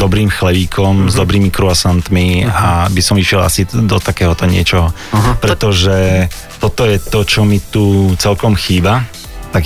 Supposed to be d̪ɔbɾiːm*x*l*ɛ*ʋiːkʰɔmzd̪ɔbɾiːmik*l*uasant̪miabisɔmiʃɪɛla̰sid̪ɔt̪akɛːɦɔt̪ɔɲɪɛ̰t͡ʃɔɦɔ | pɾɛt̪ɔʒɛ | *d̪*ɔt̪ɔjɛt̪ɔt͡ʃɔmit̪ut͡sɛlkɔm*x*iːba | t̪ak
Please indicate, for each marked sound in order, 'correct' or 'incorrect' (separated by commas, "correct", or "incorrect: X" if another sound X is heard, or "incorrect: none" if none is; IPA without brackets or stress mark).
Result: correct, correct, incorrect: ɾ, incorrect: t̪, correct